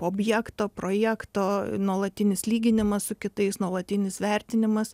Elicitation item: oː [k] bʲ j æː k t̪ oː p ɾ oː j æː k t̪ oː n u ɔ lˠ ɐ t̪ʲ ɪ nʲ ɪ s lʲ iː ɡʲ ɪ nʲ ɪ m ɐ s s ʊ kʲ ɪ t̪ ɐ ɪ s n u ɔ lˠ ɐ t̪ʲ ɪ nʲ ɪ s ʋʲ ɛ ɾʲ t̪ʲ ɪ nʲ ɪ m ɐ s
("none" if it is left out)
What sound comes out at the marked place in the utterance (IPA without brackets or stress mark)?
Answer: none